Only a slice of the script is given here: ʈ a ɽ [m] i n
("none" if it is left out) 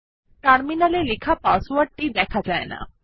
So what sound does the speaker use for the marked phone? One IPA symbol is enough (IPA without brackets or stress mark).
m